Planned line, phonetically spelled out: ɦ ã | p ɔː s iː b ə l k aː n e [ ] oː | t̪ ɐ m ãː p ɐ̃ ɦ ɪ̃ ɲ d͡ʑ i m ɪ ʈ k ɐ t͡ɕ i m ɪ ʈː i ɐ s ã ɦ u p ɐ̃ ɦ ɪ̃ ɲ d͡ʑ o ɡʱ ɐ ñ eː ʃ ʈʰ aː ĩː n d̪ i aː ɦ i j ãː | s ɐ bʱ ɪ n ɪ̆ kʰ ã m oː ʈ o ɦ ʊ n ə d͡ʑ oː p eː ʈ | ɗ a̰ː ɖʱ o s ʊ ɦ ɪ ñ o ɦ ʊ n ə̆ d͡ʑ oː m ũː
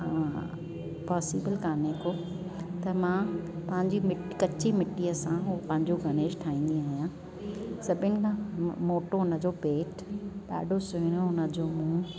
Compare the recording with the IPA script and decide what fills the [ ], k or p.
k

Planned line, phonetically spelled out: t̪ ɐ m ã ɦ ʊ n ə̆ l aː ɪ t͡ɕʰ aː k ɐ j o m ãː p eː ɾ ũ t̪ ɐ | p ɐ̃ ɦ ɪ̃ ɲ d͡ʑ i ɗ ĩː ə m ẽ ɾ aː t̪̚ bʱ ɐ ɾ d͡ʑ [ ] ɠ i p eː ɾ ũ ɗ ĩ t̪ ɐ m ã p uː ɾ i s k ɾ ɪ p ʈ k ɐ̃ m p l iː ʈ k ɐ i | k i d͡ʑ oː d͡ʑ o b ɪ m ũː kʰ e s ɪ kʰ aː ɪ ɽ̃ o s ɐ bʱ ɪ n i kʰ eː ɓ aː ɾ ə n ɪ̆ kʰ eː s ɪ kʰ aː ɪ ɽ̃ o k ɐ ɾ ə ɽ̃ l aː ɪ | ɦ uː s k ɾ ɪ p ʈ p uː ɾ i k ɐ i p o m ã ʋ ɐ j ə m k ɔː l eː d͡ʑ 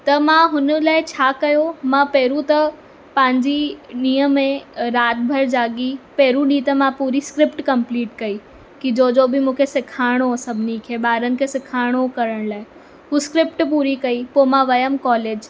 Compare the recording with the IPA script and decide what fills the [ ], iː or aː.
aː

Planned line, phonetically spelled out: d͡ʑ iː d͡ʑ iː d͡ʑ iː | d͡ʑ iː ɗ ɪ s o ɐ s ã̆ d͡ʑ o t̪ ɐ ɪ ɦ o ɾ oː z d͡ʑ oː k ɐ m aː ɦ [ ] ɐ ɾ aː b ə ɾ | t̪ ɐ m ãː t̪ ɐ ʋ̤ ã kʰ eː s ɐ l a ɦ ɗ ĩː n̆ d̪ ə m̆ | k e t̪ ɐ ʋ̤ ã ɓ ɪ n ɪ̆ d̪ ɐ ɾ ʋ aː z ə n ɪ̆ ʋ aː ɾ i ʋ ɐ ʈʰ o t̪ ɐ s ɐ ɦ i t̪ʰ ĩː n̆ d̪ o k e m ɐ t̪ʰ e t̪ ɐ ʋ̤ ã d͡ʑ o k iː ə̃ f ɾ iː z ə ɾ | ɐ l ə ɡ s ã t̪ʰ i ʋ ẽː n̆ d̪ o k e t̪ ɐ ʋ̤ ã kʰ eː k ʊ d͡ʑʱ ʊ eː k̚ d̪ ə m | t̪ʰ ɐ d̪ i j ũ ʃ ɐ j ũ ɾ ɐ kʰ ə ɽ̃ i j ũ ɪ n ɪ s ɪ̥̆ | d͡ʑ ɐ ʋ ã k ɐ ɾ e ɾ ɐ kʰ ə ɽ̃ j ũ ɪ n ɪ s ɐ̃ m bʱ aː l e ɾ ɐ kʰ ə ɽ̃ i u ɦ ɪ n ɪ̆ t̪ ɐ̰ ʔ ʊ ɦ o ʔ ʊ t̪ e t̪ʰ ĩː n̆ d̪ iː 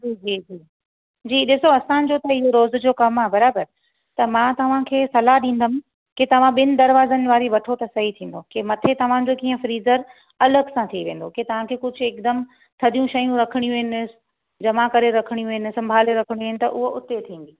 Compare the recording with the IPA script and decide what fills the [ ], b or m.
b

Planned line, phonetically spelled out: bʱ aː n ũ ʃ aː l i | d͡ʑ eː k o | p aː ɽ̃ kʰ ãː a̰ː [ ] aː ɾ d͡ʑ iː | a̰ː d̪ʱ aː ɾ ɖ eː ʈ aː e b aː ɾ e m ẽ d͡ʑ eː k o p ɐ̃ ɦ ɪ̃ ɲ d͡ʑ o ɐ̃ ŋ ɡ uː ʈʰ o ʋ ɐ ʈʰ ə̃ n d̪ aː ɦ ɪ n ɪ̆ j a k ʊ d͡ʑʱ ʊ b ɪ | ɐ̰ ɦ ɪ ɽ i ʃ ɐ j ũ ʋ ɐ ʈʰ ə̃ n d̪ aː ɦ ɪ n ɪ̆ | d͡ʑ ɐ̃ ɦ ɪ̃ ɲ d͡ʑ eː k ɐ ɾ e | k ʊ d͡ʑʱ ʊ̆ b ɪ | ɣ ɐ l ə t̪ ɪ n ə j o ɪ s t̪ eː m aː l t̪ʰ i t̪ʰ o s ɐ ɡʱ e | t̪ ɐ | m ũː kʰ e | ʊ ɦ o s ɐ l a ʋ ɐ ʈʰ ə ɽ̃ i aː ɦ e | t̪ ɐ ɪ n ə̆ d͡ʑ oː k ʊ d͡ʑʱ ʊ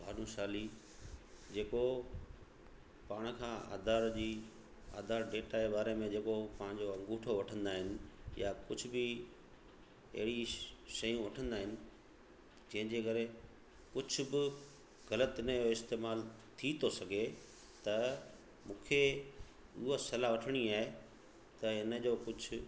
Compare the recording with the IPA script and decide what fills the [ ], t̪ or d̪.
d̪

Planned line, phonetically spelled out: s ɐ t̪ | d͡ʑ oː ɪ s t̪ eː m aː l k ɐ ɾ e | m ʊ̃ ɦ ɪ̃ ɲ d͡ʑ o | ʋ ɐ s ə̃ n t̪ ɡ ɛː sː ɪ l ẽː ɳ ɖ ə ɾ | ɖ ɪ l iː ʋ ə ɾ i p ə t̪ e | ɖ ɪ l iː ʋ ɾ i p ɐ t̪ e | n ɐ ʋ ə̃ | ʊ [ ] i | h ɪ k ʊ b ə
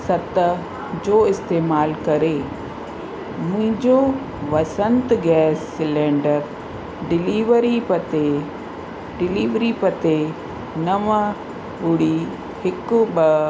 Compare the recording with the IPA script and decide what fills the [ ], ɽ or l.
ɽ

